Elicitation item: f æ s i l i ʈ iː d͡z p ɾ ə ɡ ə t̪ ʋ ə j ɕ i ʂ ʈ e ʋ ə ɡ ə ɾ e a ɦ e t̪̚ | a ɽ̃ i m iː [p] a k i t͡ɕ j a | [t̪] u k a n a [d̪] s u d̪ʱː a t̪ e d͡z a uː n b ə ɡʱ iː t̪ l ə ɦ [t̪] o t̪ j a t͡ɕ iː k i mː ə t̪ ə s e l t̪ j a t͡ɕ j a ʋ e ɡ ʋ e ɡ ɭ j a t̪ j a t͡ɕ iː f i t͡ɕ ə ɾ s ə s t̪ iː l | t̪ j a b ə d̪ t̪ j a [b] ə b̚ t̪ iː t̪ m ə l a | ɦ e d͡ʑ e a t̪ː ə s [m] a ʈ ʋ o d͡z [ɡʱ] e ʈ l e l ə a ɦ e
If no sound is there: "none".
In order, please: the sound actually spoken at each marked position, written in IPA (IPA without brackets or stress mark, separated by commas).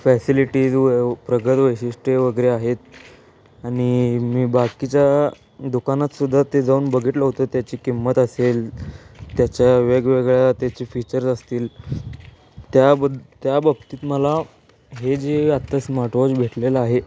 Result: b, d̪, t̪, t̪, b, m, bʱ